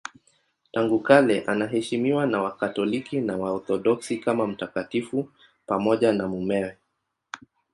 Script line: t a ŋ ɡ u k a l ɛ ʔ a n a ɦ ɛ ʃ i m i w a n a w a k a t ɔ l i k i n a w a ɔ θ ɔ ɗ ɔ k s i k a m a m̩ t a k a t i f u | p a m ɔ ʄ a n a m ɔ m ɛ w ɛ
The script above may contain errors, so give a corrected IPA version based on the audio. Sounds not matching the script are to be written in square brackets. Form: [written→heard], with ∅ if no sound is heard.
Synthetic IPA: t a ŋ ɡ u k a l ɛ ʔ a n a ɦ ɛ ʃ i m i w a n a w a k a t ɔ l i k i n a w a ɔ θ ɔ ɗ ɔ k s i k a m a m̩ t a k a t i f u | p a m ɔ ʄ a n a m [ɔ→u] m ɛ w ɛ

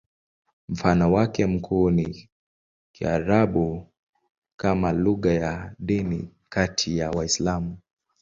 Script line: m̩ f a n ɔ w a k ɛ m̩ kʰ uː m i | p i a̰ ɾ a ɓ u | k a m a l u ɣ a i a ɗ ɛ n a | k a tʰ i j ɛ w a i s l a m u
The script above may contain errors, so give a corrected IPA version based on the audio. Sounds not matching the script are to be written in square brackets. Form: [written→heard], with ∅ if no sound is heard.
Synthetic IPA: m̩ f a n ɔ w a k ɛ m̩ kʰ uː [m→n] i | [p→k] i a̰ ɾ a ɓ u | k a m a l u ɣ a [i→j] a ɗ [ɛ→i] n [a→i] | k a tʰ i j [ɛ→a] w a i s l a m u

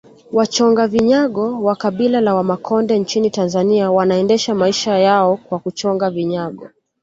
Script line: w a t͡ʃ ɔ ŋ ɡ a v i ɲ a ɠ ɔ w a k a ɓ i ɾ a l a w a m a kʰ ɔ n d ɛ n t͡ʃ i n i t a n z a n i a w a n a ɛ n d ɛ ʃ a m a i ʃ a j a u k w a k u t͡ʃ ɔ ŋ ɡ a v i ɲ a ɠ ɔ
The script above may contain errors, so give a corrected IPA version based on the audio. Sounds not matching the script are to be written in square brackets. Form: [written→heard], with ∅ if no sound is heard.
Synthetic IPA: w a t͡ʃ ɔ ŋ ɡ a v i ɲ a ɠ ɔ w a k a ɓ i [ɾ→l] a l a w a m a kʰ ɔ n d ɛ n t͡ʃ i n i t a n z a n i a w a n a ɛ n d ɛ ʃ a m a i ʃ a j a [u→ɔ] k w a k u t͡ʃ ɔ ŋ ɡ a v i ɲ a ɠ ɔ

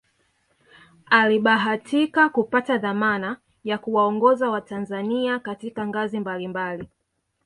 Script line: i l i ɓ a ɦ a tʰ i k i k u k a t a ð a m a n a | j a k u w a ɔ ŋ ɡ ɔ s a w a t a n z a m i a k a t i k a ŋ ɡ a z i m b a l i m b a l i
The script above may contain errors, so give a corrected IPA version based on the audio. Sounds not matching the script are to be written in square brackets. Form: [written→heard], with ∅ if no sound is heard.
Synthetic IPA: [i→a] l i ɓ a ɦ a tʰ i k [i→a] k u [k→p] a t a ð a m a n a | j a k u w a ɔ ŋ ɡ ɔ [s→z] a w a t a n z a [m→n] i a k a t i k a ŋ ɡ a z i m b a l i m b a l i

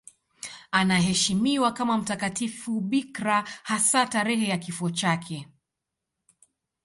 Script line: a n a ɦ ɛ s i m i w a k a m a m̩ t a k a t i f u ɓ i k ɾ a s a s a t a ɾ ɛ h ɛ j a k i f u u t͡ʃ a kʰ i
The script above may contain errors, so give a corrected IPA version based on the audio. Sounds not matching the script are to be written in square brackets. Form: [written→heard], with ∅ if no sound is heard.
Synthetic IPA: a n a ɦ ɛ [s→ʃ] i m i w a k a m a m̩ t a k a t i f u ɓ i k ɾ a [s→h] a s a t a ɾ ɛ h ɛ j a k i f u [u→ɔ] t͡ʃ a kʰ [i→ɛ]

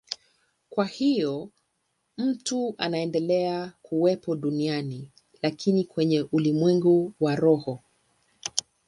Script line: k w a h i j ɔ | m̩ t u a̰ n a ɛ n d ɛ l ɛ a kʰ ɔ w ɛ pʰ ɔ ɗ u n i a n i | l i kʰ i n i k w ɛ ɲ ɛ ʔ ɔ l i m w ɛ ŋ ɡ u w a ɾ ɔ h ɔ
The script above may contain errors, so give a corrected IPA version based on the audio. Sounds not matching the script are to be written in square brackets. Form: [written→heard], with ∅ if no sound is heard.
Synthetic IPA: k w a h i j ɔ | m̩ t u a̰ n a ɛ n d ɛ l ɛ a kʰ [ɔ→u] w ɛ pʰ ɔ ɗ u n i a n i | l [i→a] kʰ i n i k w ɛ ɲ ɛ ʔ [ɔ→u] l i m w ɛ ŋ ɡ u w a ɾ ɔ h ɔ

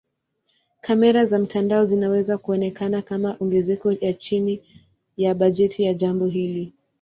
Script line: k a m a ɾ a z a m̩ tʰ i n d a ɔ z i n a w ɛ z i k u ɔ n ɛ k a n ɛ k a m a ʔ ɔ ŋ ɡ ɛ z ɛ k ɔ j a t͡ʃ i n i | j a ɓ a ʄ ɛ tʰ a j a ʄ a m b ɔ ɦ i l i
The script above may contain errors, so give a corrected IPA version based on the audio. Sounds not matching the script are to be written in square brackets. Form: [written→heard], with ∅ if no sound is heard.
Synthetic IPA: k a m [a→ɛ] ɾ a z a m̩ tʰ [i→a] n d a ɔ z i n a w ɛ z [i→a] k u ɔ n ɛ k a n [ɛ→a] k a m a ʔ ɔ ŋ ɡ ɛ z ɛ k ɔ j a t͡ʃ i n i | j a ɓ a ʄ ɛ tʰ [a→i] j a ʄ a m b ɔ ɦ i l i

